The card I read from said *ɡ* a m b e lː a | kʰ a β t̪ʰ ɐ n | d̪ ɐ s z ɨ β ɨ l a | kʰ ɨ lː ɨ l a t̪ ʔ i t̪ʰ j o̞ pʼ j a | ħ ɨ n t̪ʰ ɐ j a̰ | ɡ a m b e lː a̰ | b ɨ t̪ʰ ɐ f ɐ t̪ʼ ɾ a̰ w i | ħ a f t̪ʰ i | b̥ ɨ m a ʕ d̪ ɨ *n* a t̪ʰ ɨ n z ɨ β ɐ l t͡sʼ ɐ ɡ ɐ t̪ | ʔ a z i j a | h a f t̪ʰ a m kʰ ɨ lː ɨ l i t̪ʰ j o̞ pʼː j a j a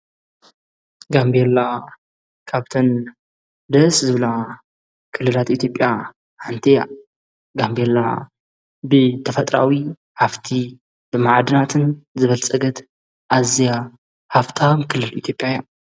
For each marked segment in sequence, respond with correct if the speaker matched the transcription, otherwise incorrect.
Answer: correct, correct

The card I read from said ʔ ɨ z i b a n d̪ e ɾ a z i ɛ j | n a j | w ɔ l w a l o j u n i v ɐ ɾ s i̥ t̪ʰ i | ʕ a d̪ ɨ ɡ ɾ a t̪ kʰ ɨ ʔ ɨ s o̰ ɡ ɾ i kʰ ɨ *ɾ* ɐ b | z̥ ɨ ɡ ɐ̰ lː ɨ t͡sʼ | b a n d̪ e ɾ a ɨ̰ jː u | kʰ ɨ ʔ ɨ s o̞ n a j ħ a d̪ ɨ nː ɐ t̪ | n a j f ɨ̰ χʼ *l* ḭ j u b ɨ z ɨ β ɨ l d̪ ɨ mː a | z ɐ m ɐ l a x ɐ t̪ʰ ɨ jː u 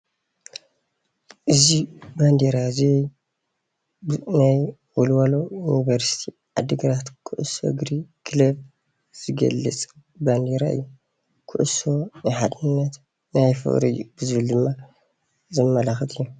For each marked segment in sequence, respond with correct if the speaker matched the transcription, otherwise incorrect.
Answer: incorrect: l, incorrect: ɾ

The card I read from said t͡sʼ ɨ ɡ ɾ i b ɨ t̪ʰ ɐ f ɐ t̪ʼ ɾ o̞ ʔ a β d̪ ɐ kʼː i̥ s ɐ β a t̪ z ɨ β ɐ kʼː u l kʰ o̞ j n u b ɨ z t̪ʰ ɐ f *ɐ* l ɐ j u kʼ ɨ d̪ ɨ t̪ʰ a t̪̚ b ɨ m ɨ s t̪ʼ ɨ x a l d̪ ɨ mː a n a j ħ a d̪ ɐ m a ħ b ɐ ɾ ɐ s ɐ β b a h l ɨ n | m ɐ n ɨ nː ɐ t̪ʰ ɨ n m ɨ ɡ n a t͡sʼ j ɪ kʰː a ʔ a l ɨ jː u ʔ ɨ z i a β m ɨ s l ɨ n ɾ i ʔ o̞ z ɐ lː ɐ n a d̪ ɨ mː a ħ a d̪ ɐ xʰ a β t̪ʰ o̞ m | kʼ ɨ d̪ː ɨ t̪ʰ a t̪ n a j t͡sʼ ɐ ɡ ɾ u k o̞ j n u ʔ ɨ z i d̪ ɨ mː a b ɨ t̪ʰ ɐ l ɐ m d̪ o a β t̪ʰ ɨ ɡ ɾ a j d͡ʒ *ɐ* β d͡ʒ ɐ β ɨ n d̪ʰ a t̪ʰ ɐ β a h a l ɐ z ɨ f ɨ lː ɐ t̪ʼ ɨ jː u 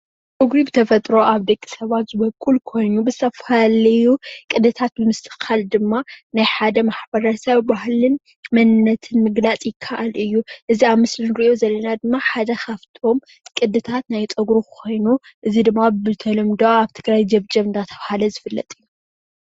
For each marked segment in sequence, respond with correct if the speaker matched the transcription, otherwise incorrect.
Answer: incorrect: a, correct

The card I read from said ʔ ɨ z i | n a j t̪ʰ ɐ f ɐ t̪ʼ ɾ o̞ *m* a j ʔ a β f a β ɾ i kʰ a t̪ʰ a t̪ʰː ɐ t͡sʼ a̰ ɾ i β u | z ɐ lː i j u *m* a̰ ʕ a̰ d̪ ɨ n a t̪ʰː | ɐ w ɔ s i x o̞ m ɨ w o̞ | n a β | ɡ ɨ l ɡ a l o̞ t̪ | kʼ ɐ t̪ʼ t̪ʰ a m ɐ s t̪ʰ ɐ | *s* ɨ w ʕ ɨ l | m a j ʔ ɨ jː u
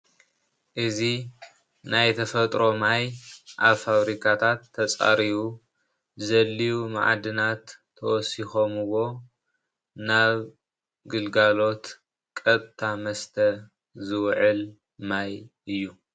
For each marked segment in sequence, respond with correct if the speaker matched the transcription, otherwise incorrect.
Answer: correct, correct, incorrect: z

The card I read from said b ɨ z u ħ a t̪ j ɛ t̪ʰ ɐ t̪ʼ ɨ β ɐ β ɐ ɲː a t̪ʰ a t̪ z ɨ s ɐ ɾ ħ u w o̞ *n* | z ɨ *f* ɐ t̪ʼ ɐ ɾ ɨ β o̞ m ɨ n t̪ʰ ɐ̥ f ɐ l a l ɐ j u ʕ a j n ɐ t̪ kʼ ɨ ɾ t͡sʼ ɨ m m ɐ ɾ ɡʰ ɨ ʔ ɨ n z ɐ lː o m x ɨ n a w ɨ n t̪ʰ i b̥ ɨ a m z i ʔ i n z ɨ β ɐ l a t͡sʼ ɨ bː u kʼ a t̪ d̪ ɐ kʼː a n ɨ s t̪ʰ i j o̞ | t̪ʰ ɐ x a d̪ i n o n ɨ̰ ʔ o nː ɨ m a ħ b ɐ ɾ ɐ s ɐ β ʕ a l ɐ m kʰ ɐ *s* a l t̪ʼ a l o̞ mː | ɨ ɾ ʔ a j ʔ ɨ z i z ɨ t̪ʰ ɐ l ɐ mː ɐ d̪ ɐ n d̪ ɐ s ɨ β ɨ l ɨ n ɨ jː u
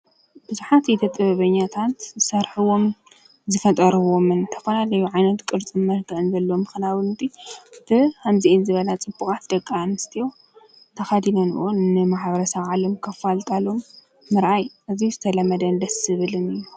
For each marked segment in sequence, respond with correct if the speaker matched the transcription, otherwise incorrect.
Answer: incorrect: m, correct, incorrect: f

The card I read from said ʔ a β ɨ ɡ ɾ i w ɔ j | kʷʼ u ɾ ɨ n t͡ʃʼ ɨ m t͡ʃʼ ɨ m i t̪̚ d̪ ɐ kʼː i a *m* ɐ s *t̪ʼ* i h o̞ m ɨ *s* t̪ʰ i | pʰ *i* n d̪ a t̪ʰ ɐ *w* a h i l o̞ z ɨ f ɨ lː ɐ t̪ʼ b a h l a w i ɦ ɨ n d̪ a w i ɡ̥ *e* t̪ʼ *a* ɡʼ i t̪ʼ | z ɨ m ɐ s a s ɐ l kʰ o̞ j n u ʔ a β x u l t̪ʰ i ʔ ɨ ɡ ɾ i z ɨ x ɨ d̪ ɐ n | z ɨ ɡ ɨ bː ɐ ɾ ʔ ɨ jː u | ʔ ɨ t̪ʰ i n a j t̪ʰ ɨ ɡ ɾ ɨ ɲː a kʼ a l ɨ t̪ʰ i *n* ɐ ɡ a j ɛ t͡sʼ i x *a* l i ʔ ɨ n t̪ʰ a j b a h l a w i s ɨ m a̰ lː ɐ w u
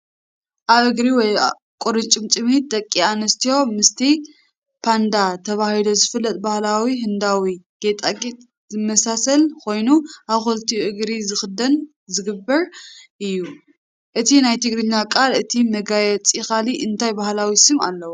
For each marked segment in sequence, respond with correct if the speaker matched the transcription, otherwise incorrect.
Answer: incorrect: n, incorrect: t̪, correct, incorrect: a, incorrect: β, correct, correct, incorrect: m, correct

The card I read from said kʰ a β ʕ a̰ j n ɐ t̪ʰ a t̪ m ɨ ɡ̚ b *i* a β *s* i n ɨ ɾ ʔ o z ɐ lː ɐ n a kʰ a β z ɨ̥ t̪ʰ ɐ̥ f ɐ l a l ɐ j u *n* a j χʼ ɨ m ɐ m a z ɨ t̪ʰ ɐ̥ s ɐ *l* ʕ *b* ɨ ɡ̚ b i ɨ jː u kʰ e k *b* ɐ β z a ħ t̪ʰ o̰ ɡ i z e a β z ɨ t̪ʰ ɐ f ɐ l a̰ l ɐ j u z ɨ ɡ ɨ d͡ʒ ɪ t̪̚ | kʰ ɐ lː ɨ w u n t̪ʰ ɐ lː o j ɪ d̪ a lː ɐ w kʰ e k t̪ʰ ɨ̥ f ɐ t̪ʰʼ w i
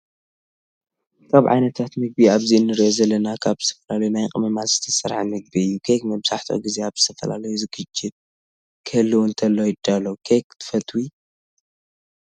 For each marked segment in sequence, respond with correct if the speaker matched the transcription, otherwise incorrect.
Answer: correct, incorrect: z, correct, incorrect: ɾ, incorrect: m, incorrect: m

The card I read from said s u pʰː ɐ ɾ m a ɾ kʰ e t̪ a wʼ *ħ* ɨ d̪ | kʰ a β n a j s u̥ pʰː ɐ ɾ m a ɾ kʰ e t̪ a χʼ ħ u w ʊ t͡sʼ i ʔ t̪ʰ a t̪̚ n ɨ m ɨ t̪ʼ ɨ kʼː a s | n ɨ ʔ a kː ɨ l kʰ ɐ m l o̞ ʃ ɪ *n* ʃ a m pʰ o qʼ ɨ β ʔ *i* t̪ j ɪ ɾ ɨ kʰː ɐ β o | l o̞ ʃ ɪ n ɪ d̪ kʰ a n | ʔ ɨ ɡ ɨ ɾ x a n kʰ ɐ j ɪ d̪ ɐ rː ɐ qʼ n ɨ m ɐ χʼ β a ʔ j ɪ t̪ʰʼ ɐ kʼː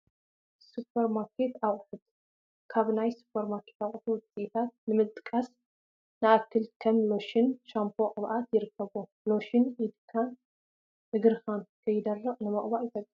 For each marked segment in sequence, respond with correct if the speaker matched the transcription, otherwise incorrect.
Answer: correct, correct, incorrect: a

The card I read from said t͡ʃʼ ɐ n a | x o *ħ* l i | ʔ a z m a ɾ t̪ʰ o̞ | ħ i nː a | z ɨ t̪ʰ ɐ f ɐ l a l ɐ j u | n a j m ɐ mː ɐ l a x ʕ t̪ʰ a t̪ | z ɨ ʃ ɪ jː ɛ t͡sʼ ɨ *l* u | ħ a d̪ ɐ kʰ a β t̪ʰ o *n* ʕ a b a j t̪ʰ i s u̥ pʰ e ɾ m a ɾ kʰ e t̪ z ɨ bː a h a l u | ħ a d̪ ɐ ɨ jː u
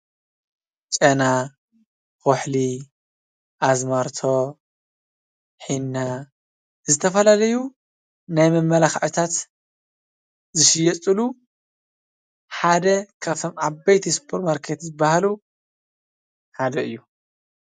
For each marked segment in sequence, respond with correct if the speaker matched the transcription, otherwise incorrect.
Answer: correct, correct, incorrect: m

